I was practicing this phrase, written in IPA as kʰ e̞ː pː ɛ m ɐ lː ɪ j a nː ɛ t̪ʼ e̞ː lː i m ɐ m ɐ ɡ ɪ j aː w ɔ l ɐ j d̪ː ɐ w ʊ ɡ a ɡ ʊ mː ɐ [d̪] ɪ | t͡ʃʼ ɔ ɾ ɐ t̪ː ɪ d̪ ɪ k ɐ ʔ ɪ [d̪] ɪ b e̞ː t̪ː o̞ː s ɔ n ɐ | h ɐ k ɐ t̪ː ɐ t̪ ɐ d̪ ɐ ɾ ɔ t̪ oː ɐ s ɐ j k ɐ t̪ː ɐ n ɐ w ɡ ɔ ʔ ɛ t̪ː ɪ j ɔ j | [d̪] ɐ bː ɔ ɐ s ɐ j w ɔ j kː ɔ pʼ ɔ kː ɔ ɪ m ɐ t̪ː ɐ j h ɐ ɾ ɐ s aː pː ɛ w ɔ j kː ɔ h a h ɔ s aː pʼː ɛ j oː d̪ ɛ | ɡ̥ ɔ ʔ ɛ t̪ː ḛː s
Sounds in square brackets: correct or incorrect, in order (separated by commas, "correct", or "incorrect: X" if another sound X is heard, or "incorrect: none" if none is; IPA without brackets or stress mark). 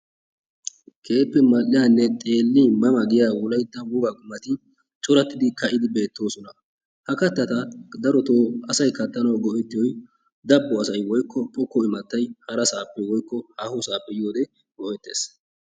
incorrect: t̪, correct, correct